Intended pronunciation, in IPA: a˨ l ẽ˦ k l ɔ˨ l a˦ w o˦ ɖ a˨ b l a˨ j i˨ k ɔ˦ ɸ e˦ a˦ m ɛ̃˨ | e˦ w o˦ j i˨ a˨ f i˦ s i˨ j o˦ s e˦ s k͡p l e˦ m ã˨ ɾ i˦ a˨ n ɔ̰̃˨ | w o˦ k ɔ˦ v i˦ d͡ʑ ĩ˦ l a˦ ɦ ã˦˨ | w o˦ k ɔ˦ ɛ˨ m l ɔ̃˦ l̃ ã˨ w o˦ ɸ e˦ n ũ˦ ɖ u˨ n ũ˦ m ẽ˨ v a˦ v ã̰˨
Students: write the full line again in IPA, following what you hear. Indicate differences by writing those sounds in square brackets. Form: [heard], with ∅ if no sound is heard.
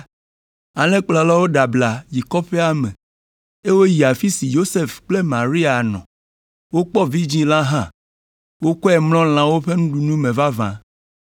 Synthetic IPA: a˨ l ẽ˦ [k͡p] l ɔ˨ l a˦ w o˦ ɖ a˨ b l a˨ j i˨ k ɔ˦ ɸ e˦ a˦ m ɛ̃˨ | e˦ w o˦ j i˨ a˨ f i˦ s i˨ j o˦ s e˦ [f] k͡p l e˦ m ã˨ ɾ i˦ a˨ n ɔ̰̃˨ | w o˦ [k͡p] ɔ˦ v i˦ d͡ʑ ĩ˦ l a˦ ɦ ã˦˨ | w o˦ k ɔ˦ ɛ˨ m l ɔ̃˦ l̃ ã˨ w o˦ ɸ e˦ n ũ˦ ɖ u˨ n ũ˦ m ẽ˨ v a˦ v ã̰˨

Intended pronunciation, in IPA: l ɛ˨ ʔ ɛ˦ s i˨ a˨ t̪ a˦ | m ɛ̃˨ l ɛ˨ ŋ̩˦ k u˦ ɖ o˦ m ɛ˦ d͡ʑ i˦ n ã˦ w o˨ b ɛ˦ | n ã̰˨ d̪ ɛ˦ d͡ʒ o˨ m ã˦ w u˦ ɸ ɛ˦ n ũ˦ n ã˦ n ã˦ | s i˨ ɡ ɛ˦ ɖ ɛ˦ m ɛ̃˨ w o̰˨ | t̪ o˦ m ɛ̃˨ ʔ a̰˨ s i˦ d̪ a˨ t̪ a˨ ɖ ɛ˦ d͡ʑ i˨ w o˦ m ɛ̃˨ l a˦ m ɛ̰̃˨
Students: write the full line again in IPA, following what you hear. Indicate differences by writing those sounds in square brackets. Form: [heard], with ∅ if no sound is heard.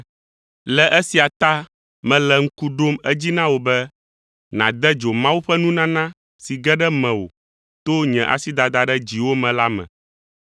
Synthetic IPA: l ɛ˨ ʔ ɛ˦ s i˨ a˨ t̪ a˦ | m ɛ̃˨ l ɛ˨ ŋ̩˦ k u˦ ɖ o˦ m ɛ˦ d͡ʑ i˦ n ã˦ w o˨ b ɛ˦ | n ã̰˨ d̪ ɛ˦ d͡ʒ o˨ m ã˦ w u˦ ɸ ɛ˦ n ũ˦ n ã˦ n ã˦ | s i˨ ɡ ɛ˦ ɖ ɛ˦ m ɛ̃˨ w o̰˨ | t̪ o˦ [ɲ] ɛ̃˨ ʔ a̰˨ s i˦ d̪ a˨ [d̪] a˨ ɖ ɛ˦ d͡ʑ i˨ w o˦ m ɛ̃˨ l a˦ m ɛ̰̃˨

